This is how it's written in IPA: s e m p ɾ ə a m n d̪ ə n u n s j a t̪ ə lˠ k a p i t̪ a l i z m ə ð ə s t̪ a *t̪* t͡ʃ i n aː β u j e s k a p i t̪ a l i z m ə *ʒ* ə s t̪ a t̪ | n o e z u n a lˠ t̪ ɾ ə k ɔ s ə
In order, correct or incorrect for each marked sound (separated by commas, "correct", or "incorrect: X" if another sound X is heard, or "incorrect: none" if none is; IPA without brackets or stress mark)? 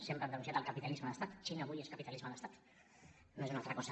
correct, incorrect: ð